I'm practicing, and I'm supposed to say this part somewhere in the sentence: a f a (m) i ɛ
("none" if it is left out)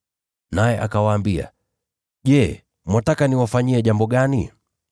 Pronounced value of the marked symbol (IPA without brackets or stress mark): ɲ